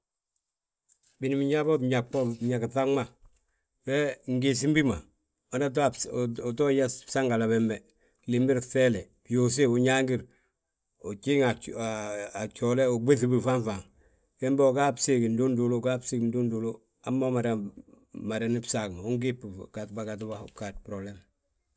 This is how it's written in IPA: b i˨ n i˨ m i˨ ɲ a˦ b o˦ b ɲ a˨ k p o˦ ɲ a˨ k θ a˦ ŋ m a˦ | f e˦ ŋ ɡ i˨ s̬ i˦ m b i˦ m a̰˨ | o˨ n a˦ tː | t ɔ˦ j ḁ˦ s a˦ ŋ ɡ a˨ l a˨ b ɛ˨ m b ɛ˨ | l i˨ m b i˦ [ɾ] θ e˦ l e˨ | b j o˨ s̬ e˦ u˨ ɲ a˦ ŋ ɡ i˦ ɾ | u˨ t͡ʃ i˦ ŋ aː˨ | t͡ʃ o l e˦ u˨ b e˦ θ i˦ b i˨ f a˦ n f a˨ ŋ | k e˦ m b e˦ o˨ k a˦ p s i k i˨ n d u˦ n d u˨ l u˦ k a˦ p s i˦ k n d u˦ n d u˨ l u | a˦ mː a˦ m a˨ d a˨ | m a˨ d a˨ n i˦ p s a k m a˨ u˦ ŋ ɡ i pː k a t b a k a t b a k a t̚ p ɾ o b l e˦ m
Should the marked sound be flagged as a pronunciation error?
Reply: no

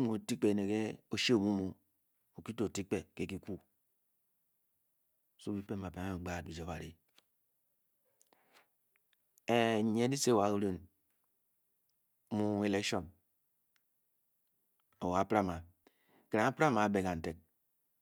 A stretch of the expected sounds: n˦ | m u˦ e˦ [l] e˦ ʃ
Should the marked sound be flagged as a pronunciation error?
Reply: no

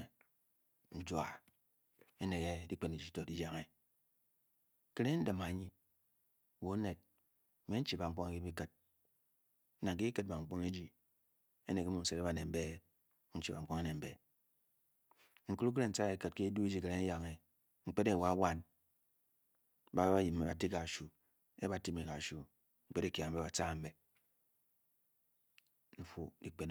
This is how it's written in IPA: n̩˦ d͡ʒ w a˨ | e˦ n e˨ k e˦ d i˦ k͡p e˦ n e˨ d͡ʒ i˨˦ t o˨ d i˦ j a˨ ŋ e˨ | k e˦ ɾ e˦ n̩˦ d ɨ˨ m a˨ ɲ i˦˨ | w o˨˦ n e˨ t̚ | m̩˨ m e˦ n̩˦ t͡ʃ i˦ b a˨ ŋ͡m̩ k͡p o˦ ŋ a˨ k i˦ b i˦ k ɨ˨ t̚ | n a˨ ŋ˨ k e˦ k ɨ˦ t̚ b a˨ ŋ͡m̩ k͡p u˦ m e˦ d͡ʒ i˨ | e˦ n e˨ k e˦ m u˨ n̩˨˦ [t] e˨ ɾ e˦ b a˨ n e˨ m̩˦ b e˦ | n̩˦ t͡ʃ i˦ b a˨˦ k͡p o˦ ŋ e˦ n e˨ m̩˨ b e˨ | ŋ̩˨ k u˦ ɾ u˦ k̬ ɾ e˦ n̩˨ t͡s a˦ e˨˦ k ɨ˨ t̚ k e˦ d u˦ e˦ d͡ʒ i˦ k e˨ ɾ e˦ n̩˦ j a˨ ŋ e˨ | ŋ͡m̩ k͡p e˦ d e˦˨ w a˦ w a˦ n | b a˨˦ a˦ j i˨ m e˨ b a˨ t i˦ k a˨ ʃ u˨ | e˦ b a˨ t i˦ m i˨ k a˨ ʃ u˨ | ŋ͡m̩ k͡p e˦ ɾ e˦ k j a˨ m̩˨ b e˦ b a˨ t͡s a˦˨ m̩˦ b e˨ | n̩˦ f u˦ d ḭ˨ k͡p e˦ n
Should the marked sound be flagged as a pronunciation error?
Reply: yes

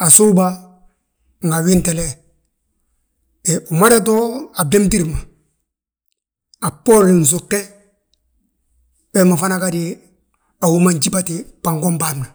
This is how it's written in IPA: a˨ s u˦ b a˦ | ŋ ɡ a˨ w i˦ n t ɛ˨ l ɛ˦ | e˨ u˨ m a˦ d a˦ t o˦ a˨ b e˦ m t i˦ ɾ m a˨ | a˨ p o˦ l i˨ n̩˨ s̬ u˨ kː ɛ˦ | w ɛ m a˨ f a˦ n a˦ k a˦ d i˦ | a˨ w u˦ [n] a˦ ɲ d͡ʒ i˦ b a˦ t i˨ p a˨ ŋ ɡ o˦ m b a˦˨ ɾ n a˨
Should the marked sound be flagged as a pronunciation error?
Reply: yes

